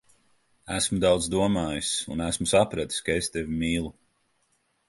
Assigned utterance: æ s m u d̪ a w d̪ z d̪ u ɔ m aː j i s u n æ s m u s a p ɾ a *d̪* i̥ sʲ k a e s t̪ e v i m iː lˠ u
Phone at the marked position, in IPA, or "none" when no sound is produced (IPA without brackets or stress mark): t̪